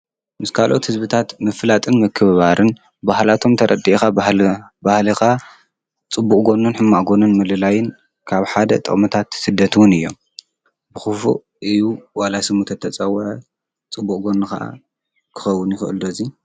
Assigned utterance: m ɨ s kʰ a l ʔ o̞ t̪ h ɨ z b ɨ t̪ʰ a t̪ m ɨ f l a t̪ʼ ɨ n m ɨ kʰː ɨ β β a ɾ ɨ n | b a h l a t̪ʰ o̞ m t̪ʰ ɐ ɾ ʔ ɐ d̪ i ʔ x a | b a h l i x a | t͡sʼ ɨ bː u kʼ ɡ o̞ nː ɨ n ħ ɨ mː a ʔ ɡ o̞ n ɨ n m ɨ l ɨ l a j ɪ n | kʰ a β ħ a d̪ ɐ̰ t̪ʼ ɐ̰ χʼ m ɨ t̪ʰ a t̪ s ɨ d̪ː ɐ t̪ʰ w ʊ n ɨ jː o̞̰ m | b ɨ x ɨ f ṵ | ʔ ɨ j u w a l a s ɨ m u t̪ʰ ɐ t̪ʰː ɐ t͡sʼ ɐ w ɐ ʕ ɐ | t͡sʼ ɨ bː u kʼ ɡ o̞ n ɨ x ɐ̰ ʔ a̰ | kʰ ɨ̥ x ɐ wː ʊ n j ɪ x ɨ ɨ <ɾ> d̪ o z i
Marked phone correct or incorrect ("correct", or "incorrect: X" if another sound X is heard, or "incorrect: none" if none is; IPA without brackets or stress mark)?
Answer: incorrect: l